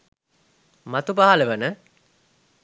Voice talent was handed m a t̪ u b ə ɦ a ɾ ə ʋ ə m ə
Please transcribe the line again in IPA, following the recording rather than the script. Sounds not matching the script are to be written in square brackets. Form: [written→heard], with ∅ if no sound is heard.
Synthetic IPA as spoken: m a t̪ u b [ə→a] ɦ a [ɾ→l] ə ʋ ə [m→n] ə

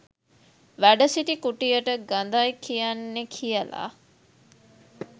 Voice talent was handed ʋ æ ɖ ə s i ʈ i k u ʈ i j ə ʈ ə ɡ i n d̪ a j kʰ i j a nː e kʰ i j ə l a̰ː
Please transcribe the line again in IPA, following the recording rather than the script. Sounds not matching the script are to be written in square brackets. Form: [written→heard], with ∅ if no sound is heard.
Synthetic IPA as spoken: ʋ æ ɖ ə s i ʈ i k u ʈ i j ə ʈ ə ɡ [i→a] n d̪ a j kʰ i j a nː e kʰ i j ə l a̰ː

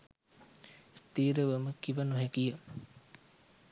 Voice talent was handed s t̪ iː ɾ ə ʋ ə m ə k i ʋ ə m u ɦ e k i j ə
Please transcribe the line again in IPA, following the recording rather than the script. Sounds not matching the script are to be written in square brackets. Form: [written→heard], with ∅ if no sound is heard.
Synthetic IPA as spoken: s t̪ iː ɾ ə ʋ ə m ə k i ʋ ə [m→n] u ɦ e k i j ə

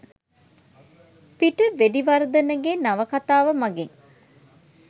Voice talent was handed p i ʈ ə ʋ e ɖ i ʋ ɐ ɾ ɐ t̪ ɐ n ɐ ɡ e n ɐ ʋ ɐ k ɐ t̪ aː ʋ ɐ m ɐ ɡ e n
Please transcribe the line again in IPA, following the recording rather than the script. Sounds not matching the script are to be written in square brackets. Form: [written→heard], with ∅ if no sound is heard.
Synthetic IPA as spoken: p i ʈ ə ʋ e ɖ i ʋ ɐ ɾ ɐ [t̪→d̪] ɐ n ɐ ɡ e n ɐ ʋ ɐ k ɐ t̪ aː ʋ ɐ m ɐ ɡ e [n→ŋ]

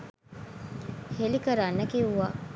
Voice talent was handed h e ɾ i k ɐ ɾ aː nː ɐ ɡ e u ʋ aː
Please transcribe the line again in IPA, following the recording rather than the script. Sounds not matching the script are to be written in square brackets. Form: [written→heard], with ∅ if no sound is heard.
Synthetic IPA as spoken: h e [ɾ→l] i k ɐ ɾ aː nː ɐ [ɡ→k] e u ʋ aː

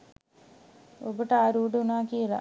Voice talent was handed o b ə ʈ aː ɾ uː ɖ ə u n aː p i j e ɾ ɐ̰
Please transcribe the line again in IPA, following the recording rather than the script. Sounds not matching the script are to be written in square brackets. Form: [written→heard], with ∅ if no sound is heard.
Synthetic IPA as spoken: o b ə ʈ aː ɾ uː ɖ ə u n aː [p→k] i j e [ɾ→l] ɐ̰

